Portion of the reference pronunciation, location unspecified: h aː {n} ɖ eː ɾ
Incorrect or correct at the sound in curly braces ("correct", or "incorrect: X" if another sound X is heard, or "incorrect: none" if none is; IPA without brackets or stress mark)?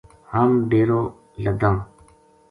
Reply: incorrect: m